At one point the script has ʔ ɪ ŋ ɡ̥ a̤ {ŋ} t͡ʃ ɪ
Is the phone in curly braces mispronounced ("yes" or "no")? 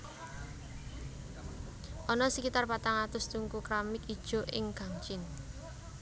no